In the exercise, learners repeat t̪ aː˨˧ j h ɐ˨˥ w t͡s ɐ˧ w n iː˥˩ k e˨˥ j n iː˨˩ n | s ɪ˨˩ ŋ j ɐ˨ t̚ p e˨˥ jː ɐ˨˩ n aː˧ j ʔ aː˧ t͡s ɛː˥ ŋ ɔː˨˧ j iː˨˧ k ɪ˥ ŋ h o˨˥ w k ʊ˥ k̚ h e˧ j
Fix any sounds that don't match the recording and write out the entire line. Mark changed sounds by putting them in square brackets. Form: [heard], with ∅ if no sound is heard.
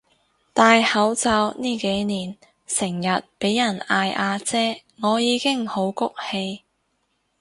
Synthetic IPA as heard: t̪ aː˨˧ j h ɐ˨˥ w t͡s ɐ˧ w n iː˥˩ k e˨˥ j n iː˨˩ n | s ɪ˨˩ ŋ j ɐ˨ t̚ p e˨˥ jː ɐ˨˩ n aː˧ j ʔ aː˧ t͡s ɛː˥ ŋ ɔː˨˧ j iː˨˧ k ɪ˥ ŋ h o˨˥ w k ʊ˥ k̚ h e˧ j